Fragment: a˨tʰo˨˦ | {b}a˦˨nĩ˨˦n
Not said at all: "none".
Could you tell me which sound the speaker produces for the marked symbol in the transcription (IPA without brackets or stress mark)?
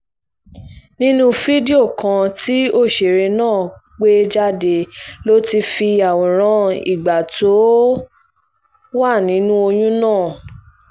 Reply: w